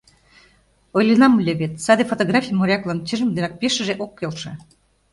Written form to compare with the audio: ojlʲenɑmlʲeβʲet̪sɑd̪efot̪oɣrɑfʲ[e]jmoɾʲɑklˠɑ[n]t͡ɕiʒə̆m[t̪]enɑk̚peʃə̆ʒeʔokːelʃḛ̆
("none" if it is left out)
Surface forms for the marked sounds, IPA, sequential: i, n, d̪

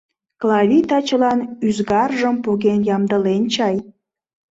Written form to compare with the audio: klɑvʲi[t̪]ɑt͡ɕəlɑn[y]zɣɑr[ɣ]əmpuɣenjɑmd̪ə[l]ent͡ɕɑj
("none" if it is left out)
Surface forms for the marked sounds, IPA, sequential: t̪, y, ʒ, l

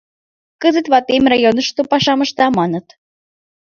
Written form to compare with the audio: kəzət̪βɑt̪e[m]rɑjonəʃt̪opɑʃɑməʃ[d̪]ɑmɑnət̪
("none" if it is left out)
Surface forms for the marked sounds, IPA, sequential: m, t̪

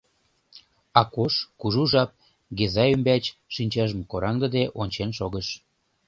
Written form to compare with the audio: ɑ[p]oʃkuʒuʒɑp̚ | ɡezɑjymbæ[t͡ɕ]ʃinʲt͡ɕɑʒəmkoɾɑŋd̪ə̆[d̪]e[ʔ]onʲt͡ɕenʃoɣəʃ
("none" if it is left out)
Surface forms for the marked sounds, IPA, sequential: k, t͡ɕ, d̪, ʔ

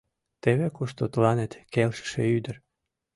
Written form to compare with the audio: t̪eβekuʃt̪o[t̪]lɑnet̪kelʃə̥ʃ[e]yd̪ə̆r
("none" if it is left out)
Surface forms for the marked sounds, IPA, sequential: t̪, e

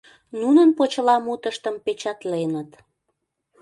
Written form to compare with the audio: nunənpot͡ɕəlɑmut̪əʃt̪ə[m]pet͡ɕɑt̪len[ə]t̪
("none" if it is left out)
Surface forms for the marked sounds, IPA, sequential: m, ə

